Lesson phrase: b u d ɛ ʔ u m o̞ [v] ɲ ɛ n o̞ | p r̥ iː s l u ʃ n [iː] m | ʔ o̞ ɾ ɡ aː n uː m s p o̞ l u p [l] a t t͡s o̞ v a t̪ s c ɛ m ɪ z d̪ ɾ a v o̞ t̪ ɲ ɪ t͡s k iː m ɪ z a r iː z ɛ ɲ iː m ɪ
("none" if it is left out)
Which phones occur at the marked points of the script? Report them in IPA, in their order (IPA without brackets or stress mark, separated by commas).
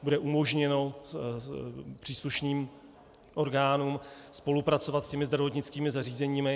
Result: ʒ, iː, ɾ